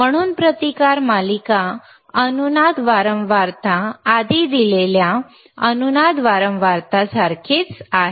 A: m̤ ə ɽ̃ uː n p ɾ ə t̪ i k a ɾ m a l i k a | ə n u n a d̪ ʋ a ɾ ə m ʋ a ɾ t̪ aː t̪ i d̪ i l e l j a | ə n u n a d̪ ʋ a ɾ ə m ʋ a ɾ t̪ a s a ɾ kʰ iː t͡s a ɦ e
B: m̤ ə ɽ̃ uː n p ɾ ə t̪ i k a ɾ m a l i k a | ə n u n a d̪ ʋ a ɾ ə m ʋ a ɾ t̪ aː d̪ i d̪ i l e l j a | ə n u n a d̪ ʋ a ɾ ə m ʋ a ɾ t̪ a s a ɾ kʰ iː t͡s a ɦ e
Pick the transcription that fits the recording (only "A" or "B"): B